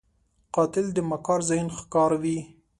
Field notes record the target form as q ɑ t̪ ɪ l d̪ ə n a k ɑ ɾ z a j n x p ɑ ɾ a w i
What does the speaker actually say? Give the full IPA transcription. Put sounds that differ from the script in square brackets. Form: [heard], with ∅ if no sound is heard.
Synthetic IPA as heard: q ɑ t̪ ɪ l d̪ ə [m] a k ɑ ɾ z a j n x [k] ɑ ɾ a w i